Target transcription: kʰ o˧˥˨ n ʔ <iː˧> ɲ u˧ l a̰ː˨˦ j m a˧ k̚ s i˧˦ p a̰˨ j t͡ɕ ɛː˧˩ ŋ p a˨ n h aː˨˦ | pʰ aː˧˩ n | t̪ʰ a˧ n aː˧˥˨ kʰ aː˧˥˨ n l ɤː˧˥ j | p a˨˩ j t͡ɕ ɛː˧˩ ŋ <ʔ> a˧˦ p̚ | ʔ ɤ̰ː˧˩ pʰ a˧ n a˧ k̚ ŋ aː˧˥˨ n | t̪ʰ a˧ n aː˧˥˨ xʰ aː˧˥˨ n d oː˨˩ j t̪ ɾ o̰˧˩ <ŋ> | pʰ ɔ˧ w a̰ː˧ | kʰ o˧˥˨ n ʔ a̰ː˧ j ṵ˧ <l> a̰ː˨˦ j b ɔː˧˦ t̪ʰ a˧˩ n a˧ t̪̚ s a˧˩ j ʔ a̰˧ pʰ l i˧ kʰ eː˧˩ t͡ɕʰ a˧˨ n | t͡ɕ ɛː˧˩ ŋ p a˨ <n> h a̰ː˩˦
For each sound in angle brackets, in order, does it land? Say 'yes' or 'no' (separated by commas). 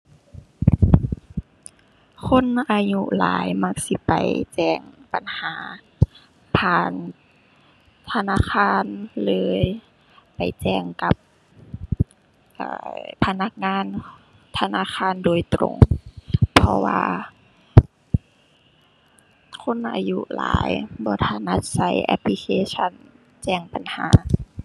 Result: no, no, yes, yes, yes